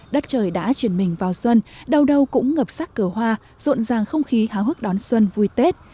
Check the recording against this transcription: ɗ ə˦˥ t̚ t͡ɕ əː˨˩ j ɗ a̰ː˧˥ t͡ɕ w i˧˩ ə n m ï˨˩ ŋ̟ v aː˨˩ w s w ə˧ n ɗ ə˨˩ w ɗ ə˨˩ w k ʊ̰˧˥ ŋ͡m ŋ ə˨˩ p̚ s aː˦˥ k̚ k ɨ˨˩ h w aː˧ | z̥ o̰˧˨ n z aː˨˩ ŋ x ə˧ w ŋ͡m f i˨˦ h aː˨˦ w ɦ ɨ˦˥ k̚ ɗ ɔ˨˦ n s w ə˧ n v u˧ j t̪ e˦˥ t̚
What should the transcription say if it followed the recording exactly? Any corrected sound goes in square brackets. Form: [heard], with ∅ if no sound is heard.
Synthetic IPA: ɗ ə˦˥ t̚ t͡ɕ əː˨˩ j ɗ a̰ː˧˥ t͡ɕ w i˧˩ ə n m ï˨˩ ŋ̟ v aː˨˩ w s w ə˧ n ɗ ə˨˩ w ɗ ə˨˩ w k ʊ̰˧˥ ŋ͡m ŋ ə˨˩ p̚ s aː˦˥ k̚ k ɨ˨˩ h w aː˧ | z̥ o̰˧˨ n z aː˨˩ ŋ x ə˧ w ŋ͡m [x] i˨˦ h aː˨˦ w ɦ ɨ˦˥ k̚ ɗ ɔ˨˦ n s w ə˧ n v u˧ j t̪ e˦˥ t̚